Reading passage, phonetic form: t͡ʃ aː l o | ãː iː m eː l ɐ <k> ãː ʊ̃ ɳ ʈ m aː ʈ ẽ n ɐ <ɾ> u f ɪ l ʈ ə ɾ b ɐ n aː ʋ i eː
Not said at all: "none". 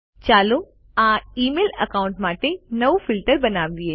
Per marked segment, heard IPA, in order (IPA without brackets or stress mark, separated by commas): k, none